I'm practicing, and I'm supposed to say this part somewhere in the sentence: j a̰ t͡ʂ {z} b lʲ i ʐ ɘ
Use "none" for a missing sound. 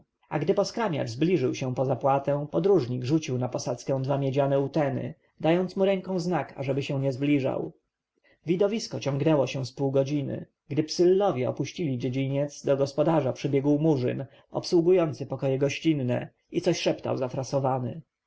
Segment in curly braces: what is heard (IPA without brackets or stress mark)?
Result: z